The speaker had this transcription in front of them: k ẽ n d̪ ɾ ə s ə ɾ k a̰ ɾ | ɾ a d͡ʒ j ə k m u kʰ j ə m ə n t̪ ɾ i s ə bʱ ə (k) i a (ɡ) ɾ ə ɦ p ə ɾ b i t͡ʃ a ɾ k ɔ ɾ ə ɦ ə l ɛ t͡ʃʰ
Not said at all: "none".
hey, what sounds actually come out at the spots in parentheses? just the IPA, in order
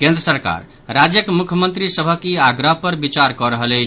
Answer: k, ɡ

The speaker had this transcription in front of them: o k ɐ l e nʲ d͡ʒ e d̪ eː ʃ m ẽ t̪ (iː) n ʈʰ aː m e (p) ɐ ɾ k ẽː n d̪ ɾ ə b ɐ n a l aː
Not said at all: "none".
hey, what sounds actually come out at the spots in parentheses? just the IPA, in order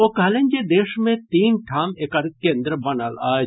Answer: iː, k

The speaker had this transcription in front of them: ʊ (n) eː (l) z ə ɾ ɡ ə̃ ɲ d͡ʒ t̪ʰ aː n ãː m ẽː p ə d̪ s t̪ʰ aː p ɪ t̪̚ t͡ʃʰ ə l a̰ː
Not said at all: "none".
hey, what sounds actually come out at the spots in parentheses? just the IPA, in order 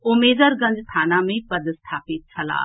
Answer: m, none

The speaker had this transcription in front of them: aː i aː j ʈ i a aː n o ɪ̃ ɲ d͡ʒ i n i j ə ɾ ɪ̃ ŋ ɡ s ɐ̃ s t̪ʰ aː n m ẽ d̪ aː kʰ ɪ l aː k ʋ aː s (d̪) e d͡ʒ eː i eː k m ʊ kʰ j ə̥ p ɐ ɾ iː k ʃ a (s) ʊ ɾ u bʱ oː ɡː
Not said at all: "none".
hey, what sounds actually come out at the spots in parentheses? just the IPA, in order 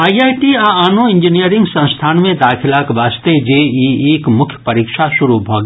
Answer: t̪, ʃ

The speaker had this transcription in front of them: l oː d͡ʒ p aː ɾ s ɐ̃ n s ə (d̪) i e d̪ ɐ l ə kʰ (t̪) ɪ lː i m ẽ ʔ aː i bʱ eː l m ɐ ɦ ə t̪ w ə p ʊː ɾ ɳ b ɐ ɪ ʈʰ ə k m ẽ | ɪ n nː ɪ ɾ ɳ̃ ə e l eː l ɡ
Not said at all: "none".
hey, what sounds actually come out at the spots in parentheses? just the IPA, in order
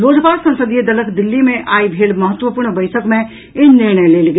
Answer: d̪, d̪

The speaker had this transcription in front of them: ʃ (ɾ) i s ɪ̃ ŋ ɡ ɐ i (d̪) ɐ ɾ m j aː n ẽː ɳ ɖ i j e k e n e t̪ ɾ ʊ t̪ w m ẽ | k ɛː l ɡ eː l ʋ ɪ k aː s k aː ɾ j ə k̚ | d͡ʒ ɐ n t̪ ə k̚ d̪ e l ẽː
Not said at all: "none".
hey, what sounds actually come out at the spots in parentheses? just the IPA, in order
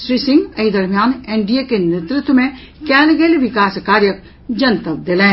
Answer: ɾ, d̪

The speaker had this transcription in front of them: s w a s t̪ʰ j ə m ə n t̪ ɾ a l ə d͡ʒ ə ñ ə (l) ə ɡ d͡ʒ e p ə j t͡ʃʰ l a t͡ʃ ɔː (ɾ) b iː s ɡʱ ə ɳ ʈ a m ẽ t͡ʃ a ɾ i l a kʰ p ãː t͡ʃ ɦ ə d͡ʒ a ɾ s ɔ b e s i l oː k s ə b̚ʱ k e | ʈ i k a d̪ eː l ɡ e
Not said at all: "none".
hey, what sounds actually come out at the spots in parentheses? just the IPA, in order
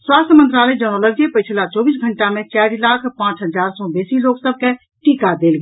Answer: l, none

